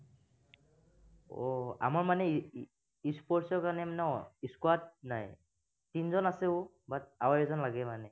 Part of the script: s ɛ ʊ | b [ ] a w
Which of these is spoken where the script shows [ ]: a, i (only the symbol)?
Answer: a